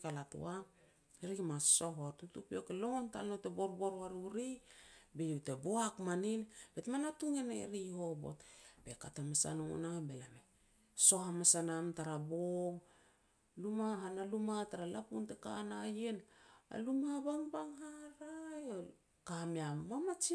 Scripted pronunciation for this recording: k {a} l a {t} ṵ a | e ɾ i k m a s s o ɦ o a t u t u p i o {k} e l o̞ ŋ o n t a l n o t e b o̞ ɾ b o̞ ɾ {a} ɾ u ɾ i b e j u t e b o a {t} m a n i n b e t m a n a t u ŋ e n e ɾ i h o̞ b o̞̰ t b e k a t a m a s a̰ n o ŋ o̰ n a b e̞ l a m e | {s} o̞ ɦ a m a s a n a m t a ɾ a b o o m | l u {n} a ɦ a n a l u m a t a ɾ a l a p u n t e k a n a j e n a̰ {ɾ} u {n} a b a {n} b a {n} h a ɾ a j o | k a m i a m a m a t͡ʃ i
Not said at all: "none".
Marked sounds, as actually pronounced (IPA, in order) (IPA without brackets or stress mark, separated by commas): a, t, k, a, k, s, m, l, m, ŋ, ŋ